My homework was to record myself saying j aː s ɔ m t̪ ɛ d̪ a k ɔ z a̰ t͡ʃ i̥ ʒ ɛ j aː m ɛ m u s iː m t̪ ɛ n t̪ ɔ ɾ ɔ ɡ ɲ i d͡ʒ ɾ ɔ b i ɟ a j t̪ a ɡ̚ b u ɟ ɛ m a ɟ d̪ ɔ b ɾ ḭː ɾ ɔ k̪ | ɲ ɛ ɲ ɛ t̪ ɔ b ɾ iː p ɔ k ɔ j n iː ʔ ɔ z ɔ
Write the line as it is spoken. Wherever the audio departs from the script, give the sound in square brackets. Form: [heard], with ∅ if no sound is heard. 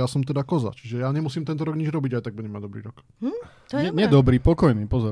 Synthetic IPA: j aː s ɔ m t̪ ɛ d̪ a k ɔ z a̰ t͡ʃ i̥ ʒ ɛ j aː [ɲ] ɛ m u s iː m t̪ ɛ n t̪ ɔ ɾ ɔ ɡ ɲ i d͡ʒ ɾ ɔ b i ɟ a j t̪ a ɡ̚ b u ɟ ɛ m a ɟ d̪ ɔ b ɾ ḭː ɾ ɔ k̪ | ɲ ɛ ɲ ɛ [d̪] ɔ b ɾ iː p ɔ k ɔ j n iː [p] ɔ z ɔ